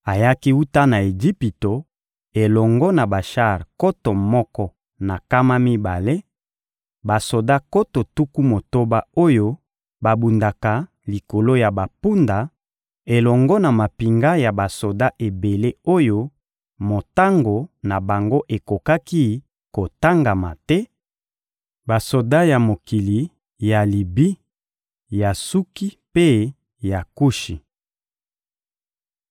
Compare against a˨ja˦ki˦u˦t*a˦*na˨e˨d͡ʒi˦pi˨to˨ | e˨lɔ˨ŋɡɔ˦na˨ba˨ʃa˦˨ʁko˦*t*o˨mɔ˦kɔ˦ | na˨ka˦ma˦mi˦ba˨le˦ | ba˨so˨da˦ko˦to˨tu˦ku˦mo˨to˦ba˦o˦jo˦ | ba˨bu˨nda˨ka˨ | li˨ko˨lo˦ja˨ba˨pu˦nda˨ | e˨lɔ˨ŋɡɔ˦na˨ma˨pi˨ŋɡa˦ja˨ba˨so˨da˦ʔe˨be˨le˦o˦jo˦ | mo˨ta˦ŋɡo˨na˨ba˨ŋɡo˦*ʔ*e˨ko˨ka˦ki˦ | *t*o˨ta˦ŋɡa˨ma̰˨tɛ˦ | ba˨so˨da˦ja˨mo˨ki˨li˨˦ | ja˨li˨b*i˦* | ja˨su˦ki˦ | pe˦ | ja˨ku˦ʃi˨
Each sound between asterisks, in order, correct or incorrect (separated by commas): correct, correct, correct, incorrect, correct